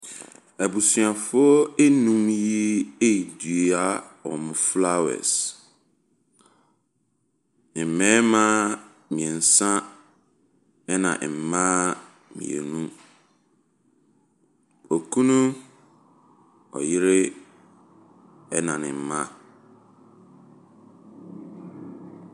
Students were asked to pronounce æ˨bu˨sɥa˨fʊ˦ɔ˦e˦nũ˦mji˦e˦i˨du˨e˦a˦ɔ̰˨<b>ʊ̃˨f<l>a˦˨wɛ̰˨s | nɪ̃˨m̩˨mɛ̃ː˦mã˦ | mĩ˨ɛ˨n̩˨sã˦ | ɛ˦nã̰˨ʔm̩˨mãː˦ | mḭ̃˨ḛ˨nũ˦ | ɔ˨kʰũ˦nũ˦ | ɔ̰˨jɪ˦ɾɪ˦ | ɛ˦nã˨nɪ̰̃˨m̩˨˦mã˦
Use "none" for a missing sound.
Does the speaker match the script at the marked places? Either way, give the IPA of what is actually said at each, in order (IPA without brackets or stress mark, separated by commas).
m, l